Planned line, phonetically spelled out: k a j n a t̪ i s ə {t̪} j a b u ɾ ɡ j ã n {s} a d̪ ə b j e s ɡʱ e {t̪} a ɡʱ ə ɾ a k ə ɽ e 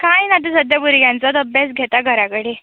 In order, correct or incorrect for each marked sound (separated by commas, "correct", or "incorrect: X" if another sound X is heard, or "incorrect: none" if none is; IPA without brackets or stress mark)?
incorrect: d̪, incorrect: t͡s, correct